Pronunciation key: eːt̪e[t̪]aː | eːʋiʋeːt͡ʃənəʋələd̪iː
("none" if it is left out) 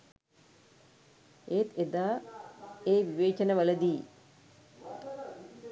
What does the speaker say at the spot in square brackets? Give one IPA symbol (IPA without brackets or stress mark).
d̪